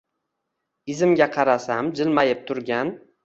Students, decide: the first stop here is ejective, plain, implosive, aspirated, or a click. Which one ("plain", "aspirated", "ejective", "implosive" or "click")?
plain